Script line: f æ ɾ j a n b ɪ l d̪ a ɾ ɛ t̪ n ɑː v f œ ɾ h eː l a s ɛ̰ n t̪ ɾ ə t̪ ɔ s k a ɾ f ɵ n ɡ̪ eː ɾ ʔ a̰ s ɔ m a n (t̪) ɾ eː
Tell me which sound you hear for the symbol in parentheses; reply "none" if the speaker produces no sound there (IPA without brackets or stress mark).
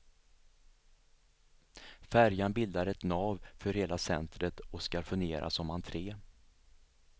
t̪ʰ